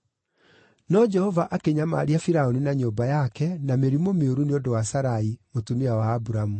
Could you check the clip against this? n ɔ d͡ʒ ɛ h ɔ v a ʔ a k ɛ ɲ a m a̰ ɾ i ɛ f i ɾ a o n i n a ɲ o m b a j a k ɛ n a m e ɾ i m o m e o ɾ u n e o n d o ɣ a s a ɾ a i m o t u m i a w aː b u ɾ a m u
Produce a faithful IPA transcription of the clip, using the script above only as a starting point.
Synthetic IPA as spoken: n ɔ d͡ʒ ɛ h ɔ v a ʔ a k e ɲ a m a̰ ɾ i a f i ɾ a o n i n a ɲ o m b a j a k ɛ n a m e ɾ i m o m e o ɾ u n e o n d o w a s a ɾ a i m o t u m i a w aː b u ɾ a m u

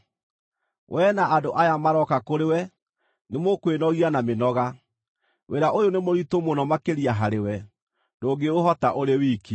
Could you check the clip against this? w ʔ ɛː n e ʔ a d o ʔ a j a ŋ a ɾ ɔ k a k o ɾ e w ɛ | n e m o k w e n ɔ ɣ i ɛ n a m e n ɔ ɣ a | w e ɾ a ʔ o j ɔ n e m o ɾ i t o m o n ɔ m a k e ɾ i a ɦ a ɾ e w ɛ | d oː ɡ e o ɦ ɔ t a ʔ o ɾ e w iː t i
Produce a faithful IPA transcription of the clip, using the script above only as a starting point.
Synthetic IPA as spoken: w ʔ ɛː n a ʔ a d o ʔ a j a m a ɾ ɔ k a k o ɾ e w ɛ | n e m o k w e n ɔ ɣ i a n a m e n ɔ ɣ a | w e ɾ a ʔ o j o n e m o ɾ i t o m o n ɔ m a k e ɾ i a ɦ a ɾ e w ɛ | d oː ɡ e o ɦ ɔ t a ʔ o ɾ e w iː k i

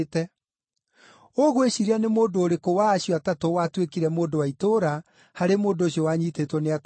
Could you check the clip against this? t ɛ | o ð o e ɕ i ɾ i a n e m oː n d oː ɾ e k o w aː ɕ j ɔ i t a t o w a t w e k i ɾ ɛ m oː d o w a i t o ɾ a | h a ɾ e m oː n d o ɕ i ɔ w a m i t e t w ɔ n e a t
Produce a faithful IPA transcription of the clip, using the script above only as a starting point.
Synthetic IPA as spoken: t ɛ | o ɣ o e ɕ i ɾ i a n e m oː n d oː ɾ e k o w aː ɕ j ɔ a t a t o w a t w e k i ɾ ɛ m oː d o w a i t o ɾ a | h a ɾ e m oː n d o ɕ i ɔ w a ɲ i t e t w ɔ n e a t

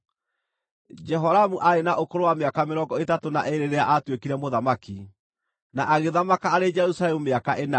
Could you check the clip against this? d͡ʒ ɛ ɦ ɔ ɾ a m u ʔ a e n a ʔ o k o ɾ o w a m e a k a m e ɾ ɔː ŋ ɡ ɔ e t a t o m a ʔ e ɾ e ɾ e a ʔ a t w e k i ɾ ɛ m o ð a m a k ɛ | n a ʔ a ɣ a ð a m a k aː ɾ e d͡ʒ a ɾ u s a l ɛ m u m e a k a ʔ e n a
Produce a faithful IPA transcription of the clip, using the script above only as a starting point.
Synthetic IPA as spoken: d͡ʒ ɛ ɦ ɔ ɾ a m u ʔ a e n a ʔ o k o ɾ o w a m e a k a m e ɾ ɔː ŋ ɡ ɔ e t a t o n a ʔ e ɾ e ɾ e a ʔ a t w e k i ɾ ɛ m o ð a m a k i | n a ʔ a ɣ e ð a m a k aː ɾ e d͡ʒ ɛ ɾ u s a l ɛ m u m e a k a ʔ e n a

